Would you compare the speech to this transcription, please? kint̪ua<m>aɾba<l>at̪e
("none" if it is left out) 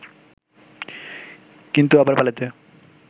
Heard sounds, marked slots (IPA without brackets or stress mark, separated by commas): b, l